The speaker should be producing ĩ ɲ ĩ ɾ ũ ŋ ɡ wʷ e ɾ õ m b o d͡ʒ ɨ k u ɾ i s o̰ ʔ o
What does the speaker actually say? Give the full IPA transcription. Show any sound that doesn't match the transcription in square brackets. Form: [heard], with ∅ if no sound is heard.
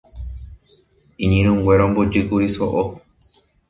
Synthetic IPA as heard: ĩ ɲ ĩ ɾ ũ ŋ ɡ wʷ e ɾ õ m b o d͡ʒ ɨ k u ɾ i s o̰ ʔ o